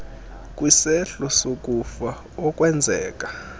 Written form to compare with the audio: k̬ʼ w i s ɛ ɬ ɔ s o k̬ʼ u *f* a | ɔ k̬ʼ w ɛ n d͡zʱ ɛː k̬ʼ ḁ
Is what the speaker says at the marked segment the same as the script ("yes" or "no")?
yes